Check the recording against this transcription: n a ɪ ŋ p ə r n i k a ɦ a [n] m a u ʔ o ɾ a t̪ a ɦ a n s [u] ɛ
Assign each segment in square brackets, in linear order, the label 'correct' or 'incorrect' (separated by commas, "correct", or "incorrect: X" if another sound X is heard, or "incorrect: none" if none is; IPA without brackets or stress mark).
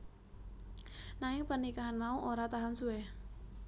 correct, correct